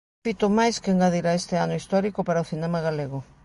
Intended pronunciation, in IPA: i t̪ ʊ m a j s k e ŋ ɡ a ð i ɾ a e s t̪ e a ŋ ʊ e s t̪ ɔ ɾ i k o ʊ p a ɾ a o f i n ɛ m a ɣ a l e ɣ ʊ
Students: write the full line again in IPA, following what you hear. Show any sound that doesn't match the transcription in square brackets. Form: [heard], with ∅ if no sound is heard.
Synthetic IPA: i t̪ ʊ m a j s k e ŋ ɡ a ð i ɾ a e s t̪ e a [n] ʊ [i] s t̪ ɔ ɾ i k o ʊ p a ɾ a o [θ] i n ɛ m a ɣ a l e ɣ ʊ